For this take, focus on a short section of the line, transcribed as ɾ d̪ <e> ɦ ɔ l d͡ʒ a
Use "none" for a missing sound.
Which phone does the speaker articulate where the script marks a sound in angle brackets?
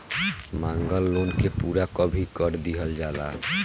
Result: i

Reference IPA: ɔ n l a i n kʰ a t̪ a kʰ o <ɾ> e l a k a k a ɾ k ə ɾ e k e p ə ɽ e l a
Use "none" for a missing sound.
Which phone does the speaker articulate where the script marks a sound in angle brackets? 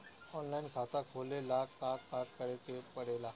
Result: l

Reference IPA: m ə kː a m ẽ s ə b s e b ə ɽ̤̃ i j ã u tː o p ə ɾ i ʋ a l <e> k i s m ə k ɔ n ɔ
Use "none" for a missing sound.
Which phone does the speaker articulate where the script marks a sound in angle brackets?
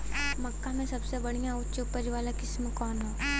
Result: a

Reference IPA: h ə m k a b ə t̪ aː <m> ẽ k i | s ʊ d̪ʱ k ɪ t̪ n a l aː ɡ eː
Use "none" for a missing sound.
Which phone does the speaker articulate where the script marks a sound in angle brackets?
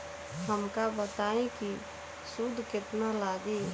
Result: none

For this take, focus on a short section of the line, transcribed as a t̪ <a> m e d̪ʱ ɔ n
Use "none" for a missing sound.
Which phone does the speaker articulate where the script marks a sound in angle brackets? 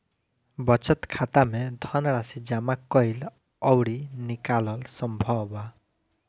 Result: a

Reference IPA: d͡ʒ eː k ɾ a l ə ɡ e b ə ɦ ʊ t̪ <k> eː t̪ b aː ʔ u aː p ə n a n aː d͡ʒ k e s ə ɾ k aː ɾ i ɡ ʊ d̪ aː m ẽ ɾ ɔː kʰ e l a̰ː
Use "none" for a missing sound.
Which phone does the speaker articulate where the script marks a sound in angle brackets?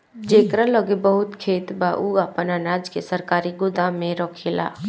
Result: kʰ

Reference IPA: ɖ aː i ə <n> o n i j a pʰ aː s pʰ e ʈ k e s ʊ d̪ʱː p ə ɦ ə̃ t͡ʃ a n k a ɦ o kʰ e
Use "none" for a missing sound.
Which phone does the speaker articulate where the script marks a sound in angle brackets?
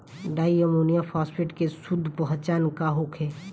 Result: m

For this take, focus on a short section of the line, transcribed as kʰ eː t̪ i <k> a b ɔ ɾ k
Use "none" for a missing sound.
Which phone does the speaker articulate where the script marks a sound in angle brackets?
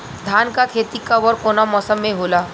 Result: k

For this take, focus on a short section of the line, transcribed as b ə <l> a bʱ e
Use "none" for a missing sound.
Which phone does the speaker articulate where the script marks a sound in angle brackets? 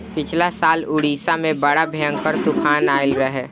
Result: ɽ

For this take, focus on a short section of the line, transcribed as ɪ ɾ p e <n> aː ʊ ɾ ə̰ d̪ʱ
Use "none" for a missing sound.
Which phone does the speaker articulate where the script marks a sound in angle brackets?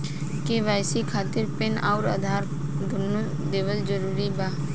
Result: n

